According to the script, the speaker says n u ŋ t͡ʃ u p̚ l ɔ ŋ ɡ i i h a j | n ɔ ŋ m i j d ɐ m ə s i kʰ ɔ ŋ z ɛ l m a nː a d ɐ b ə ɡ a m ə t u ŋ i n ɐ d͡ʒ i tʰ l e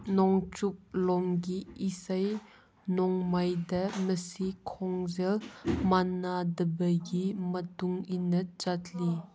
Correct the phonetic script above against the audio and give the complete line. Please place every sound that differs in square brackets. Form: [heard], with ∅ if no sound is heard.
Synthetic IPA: n [ɔ] ŋ t͡ʃ u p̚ l ɔ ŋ ɡ i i [s] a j | n ɔ ŋ m [a] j d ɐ m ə s i kʰ ɔ ŋ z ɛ l m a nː a d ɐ b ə ɡ [i] m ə t u ŋ i n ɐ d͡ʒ [a] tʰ l [i]